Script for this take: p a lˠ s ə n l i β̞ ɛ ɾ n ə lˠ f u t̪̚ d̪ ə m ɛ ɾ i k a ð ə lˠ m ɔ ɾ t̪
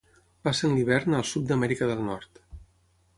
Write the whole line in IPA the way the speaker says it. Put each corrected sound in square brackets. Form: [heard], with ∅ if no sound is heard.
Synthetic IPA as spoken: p a [∅] s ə n l i β̞ ɛ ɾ n ə lˠ [s] u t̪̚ d̪ ə m ɛ ɾ i k [ə] ð ə lˠ [n] ɔ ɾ t̪